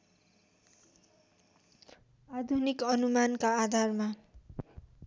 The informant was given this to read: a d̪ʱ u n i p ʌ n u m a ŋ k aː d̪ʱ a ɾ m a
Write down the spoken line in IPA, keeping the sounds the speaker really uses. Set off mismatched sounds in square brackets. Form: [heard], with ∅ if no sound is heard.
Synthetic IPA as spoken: a d̪ʱ u n i [k] ʌ n u m a [n] k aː d̪ʱ a [r] m a